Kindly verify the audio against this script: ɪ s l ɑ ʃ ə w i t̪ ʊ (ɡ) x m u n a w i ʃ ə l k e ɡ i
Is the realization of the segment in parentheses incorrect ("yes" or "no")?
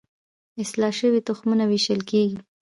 yes